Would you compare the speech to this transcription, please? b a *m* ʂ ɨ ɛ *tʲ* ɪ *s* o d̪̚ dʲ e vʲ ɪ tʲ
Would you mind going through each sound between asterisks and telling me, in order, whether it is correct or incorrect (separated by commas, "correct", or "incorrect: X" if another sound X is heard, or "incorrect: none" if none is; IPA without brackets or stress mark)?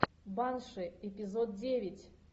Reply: incorrect: n, incorrect: pʲ, incorrect: z